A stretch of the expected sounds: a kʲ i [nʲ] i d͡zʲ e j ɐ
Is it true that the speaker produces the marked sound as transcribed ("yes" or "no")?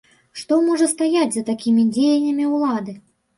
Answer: no